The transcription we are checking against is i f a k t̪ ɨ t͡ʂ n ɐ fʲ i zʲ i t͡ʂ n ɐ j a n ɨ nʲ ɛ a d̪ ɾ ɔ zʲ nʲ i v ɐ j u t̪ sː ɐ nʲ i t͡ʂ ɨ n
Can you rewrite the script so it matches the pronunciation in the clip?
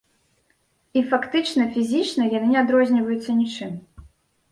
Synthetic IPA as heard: i f a k t̪ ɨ t͡ʂ n ɐ fʲ i zʲ i t͡ʂ n ɐ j a n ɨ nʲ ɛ a d̪ ɾ ɔ zʲ nʲ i v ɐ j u t̪ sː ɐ nʲ i t͡ʂ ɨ m

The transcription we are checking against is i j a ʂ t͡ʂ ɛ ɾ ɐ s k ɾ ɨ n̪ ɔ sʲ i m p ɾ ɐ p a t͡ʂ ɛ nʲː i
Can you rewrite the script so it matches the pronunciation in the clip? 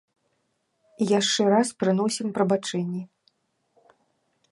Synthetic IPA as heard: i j a ʂ t͡ʂ ɛ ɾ a s p ɾ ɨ n̪ ɔ sʲ i m p ɾ ɐ b a t͡ʂ ɛ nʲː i

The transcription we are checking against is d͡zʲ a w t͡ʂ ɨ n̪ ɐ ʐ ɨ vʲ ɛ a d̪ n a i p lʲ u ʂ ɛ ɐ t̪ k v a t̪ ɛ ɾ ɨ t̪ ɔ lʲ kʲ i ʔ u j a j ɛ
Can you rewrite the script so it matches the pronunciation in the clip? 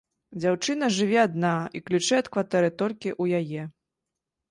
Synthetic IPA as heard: d͡zʲ a w t͡ʂ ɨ n̪ ɐ ʐ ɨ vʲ ɛ a d̪ n a i k lʲ u t͡ʂ ɛ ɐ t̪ k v a t̪ ɛ ɾ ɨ t̪ ɔ lʲ kʲ i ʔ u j a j ɛ

